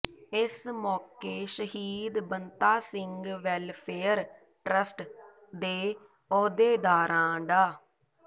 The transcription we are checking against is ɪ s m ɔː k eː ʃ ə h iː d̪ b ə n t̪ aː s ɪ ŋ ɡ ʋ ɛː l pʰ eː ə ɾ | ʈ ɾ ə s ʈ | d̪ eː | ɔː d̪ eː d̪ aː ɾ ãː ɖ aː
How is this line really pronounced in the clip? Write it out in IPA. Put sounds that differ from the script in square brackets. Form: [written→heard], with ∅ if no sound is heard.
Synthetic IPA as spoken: ɪ s m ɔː k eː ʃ ə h iː d̪ b ə n t̪ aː s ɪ ŋ ɡ ʋ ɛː l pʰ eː ə ɾ | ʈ ɾ ə s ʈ | d̪ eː | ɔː d̪ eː d̪ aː ɾ ãː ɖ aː